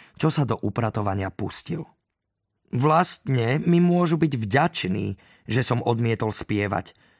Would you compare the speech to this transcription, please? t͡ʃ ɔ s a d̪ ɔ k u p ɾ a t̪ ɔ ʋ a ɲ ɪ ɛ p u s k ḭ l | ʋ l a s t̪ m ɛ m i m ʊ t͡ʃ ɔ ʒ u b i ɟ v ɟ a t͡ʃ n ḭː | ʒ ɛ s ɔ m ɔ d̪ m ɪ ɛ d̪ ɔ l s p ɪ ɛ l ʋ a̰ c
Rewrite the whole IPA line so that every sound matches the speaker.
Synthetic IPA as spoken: t͡ʃ ɔ s a d̪ ɔ ʔ u p ɾ a t̪ ɔ ʋ a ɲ ɪ a p u s c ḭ l | ʋ l a s t̪ ɲ ɛ m i m ʊ ɔ ʒ u b i ɟ v ɟ a t͡ʃ n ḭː | ʒ ɛ s ɔ m ɔ d̪ m ɪ ɛ t̪ ɔ l s p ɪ ɛ ʋ a̰ c